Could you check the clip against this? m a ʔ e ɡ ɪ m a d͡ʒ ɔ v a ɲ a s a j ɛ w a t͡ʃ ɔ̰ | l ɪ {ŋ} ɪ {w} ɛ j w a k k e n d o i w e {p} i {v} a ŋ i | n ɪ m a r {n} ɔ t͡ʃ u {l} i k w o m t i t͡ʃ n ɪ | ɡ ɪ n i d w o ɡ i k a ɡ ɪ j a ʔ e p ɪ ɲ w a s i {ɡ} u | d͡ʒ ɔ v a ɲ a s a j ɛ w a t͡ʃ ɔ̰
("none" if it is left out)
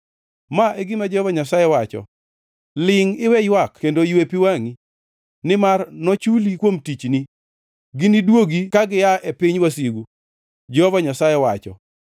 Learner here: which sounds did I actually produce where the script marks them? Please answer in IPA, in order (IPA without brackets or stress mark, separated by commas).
ŋ, w, p, w, n, l, ɡ